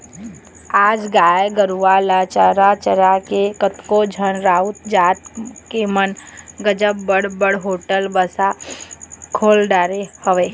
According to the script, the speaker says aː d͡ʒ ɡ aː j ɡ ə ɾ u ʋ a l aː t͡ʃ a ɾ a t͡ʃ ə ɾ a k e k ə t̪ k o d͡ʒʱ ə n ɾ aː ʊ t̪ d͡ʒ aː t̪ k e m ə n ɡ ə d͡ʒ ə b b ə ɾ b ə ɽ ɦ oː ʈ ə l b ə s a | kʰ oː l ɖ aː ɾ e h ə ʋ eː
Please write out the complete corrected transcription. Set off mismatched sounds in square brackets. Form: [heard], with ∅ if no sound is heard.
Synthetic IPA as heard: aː d͡ʒ ɡ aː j ɡ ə ɾ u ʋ a l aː t͡ʃ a ɾ a t͡ʃ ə ɾ a k e k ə t̪ k o d͡ʒʱ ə n ɾ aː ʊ t̪ d͡ʒ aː t̪ k e m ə n ɡ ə d͡ʒ ə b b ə [ɽ] b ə ɽ ɦ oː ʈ ə l b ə s a | kʰ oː l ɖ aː ɾ e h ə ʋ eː

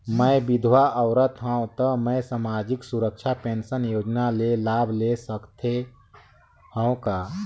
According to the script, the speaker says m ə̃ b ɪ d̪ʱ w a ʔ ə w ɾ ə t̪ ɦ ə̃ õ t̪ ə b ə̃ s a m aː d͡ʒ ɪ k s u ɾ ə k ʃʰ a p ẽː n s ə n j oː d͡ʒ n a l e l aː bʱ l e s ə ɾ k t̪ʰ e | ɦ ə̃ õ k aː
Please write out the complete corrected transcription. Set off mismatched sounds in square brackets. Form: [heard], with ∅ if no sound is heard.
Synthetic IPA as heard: m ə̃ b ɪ d̪ʱ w a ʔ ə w ɾ ə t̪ ɦ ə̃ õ t̪ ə [m] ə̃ s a m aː d͡ʒ ɪ k s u ɾ ə k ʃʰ a p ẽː n s ə n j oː d͡ʒ n a l e l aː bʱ l e s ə [∅] k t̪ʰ e | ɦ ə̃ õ k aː

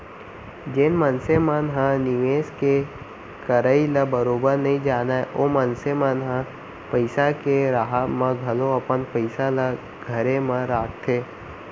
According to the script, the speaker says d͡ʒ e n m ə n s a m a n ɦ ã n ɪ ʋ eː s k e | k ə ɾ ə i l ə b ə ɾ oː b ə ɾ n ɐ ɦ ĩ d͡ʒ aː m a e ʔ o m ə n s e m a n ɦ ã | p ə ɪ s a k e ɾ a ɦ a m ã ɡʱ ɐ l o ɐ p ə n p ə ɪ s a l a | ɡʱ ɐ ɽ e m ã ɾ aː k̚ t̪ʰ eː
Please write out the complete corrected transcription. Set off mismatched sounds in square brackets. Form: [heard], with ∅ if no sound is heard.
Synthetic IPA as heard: d͡ʒ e n m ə n s [e] m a n ɦ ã n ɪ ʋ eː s k e | k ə ɾ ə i l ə b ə ɾ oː b ə ɾ n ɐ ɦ ĩ d͡ʒ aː [n] a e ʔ o m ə n s e m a n ɦ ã | p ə ɪ s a k e ɾ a ɦ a m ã ɡʱ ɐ l o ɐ p ə n p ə ɪ s a l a | ɡʱ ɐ [ɾ] e m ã ɾ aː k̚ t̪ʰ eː

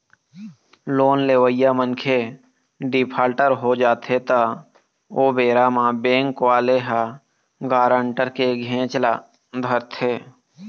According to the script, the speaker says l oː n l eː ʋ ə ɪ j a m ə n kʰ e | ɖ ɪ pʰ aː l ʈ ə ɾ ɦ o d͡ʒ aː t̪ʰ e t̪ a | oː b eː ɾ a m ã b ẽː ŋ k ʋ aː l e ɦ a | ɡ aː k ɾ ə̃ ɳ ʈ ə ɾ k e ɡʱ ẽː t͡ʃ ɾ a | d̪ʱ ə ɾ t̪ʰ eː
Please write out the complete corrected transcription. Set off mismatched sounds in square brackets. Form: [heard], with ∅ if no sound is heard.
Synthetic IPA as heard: l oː n l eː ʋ ə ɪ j a m ə n kʰ e | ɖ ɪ pʰ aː l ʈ ə ɾ ɦ o d͡ʒ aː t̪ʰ e t̪ a | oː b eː ɾ a m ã b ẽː ŋ k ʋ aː l e ɦ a | ɡ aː [∅] ɾ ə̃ ɳ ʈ ə ɾ k e ɡʱ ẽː t͡ʃ [l] a | d̪ʱ ə ɾ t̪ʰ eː

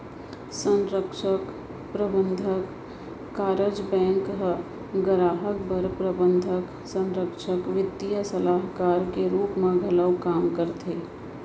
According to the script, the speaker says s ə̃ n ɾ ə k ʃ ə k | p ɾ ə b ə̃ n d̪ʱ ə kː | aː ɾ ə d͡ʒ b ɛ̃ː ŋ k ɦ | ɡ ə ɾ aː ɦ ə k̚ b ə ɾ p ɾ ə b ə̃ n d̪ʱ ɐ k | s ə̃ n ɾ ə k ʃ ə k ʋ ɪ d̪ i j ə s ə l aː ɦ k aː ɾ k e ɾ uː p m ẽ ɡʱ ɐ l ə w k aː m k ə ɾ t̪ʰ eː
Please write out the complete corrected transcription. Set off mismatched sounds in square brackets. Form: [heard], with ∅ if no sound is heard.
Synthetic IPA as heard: s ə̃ n ɾ ə k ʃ ə k | p ɾ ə b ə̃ n d̪ʱ ə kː | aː ɾ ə d͡ʒ b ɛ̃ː ŋ k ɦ | ɡ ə ɾ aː ɦ ə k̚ b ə ɾ p ɾ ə b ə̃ n d̪ʱ [ə] k | s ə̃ n ɾ ə k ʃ ə k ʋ ɪ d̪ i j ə s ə l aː ɦ k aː ɾ k e ɾ uː p m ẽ ɡʱ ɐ l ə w k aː m k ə ɾ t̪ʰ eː

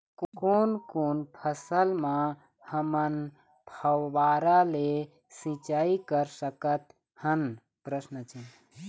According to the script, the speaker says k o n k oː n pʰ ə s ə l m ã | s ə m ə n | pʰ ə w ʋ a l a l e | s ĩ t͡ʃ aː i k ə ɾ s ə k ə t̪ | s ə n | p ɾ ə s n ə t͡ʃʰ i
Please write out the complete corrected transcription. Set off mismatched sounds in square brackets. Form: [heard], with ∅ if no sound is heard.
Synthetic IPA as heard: k o n k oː n pʰ ə s ə l m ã | [h] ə m ə n | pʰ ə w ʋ a [ɾ] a l e | s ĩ t͡ʃ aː i k ə ɾ s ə k ə t̪ | [h] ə n | p ɾ ə s n ə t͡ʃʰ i

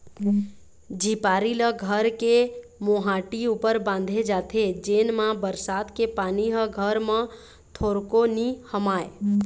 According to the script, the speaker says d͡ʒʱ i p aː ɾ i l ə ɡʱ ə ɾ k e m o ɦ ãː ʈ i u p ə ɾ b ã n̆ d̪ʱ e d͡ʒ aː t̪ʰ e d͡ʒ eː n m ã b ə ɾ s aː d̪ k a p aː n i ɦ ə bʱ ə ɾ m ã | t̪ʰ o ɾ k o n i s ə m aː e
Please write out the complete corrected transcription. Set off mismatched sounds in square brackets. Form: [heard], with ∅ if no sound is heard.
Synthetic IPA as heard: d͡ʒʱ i p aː ɾ i l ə ɡʱ ə ɾ k e m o ɦ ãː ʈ i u p ə ɾ b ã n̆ d̪ʱ e d͡ʒ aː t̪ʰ e d͡ʒ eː n m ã b ə ɾ s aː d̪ k [e] p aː n i ɦ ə [ɡʱ] ə ɾ m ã | t̪ʰ o ɾ k o n i [h] ə m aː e

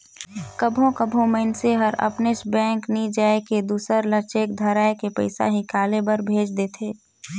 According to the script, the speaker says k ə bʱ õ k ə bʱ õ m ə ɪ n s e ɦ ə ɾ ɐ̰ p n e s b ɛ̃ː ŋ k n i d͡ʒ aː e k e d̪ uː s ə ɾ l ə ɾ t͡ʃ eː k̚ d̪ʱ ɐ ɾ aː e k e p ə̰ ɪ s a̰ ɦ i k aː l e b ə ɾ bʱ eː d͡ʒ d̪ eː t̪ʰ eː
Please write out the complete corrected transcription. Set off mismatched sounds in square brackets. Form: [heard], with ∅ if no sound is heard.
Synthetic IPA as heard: k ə bʱ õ k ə bʱ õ m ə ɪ n s e ɦ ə ɾ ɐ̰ p n e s b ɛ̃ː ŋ k n i d͡ʒ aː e k e d̪ uː s ə ɾ l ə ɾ t͡ʃ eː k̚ d̪ʱ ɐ ɾ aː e k e p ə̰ ɪ s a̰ ɦ i k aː l e b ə ɾ bʱ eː d͡ʒ d̪ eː t̪ʰ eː

